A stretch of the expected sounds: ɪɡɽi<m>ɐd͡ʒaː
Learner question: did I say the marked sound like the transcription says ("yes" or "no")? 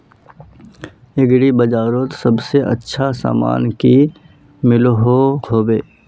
no